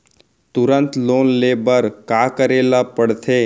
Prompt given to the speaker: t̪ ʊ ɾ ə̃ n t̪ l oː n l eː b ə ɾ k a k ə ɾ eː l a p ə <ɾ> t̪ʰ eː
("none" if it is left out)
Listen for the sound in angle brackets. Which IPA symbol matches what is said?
ɽ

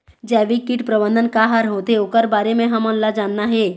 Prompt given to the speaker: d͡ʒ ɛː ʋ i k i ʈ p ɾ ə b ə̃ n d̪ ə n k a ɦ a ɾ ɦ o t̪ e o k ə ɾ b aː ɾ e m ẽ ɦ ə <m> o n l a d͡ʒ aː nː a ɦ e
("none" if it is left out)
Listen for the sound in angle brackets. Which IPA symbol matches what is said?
m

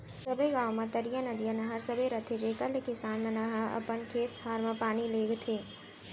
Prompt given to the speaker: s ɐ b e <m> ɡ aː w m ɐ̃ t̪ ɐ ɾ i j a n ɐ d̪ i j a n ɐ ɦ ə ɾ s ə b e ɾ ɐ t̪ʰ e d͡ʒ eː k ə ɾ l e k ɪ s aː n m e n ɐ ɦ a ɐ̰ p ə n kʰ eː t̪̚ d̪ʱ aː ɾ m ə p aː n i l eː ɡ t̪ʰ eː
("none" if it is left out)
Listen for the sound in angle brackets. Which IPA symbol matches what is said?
none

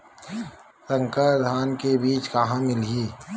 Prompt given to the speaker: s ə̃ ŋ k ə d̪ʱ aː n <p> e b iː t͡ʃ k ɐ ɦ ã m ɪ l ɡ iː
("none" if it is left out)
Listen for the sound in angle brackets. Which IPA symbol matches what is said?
k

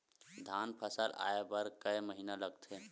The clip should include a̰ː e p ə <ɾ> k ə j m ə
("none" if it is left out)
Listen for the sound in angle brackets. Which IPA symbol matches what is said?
ɾ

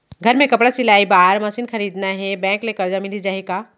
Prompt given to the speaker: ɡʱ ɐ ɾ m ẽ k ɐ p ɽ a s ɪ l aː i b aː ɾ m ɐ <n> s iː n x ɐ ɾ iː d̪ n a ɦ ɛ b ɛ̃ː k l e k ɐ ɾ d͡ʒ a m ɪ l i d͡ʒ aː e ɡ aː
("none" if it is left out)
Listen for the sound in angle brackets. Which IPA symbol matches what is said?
none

